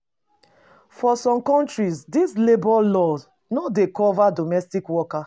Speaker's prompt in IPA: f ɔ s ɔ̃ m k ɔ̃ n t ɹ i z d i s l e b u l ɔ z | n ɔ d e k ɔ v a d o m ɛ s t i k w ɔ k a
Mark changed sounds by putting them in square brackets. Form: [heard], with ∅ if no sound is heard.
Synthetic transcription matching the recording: f ɔ s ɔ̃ m k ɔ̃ n t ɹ i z d i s l e b [ɔ] l ɔ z | n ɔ d e k ɔ v a d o m ɛ s t i k w ɔ k a